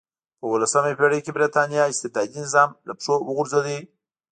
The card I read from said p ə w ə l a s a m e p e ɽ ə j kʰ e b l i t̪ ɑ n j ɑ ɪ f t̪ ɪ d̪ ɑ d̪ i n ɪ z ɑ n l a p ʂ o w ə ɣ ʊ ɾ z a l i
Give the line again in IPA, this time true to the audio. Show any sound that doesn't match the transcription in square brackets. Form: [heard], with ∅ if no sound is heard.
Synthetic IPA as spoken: p ə w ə l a s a m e p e ɽ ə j [k] e b [ɾ] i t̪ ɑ n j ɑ ɪ [s] t̪ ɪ d̪ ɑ d̪ i n ɪ z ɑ [m] l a p ʂ o w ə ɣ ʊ ɾ z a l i

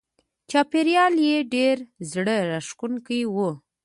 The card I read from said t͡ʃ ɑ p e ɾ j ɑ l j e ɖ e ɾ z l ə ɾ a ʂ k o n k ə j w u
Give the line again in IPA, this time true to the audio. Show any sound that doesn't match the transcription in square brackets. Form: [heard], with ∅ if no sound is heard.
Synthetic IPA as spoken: t͡ʃ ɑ p e ɾ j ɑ l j e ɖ e ɾ z [ɽ] ə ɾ a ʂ k [u] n k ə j w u

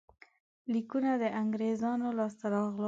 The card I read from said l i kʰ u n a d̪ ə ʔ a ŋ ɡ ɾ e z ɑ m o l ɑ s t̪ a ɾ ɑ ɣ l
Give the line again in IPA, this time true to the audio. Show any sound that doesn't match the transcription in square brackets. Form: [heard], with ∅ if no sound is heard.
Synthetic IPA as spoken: l i [k] u n a d̪ ə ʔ a ŋ ɡ ɾ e z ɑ [n] o l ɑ s t̪ a ɾ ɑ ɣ l

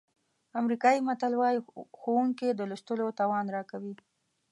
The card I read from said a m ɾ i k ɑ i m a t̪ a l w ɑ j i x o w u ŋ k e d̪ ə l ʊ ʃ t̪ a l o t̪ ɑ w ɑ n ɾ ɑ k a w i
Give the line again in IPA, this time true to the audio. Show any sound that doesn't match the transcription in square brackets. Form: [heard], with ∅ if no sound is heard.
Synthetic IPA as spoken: a m ɾ i k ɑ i m a t̪ a l w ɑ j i x o w u ŋ k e d̪ ə l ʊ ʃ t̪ [ə] l o t̪ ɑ w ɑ n ɾ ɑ k a w i

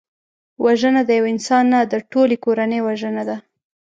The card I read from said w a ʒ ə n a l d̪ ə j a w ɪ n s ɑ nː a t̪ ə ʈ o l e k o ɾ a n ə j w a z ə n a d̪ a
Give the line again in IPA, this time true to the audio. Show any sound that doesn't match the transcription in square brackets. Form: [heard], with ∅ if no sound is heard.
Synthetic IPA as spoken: w a ʒ ə n a [∅] d̪ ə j a w ɪ n s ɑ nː a [d̪] ə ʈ o l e k o ɾ a n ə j w a [ʒ] ə n a d̪ a

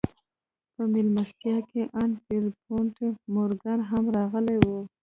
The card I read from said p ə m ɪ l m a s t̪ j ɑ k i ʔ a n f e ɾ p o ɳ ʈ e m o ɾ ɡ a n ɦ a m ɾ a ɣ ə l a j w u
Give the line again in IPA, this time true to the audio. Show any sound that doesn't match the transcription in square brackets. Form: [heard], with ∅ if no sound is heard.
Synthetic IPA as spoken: p ə m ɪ l m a s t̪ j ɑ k [e] ʔ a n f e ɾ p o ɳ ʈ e m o ɾ ɡ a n ɦ a m ɾ [ɑ] ɣ ə l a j w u

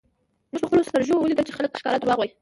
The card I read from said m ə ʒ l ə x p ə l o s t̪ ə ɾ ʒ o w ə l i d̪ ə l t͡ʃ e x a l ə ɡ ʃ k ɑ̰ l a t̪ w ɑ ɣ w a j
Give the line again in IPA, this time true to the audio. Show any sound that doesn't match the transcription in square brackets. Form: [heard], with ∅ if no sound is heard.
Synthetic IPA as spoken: m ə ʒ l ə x p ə l o s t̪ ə ɾ ʒ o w ə l i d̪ ə l t͡ʃ e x a l ə [k] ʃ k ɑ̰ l a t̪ w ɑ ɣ w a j

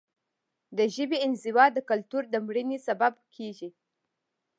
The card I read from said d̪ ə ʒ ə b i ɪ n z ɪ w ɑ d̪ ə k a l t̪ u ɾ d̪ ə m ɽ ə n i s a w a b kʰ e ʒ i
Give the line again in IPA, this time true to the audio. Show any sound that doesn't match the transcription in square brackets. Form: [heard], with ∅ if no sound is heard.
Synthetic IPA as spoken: d̪ ə ʒ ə b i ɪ n z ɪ w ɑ d̪ ə k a l t̪ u ɾ d̪ ə m ɽ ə n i s a [b] a b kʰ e ʒ i

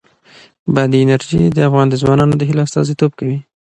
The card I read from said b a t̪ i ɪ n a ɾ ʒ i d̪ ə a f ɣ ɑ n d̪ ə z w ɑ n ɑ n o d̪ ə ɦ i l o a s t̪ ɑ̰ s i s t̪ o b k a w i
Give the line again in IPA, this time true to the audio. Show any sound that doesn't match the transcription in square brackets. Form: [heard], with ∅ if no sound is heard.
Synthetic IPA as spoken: b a [d̪] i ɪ n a ɾ ʒ i d̪ ə a f ɣ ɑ n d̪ ə z w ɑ n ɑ n o d̪ ə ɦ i l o a s t̪ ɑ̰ [z] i [∅] t̪ o b k a w i

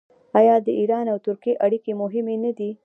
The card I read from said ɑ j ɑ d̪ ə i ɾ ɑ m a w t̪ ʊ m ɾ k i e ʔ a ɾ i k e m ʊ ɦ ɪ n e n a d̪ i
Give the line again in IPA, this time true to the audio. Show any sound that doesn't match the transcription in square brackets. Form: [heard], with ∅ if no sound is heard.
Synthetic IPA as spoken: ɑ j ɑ d̪ ə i ɾ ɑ [n] a w t̪ ʊ [∅] ɾ k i e ʔ a [ɽ] i k e m ʊ ɦ ɪ [m] e n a d̪ i

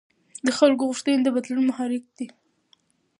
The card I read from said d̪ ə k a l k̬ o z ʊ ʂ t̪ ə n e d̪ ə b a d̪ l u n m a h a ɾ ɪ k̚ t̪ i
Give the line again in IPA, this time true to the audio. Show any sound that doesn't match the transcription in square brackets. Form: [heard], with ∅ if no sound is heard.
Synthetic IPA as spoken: d̪ ə [x] a l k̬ o [ɣ] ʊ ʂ t̪ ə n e d̪ ə b a d̪ l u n m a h [ɑ] ɾ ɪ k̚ [d̪] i

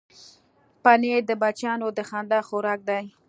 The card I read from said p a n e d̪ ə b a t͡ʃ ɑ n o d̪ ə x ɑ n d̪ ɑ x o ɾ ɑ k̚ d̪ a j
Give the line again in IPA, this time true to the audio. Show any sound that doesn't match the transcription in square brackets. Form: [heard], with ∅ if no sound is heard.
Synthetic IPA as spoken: p a n e d̪ ə b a t͡ʃ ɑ n o d̪ ə x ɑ n d̪ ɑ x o ɾ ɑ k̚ d̪ a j

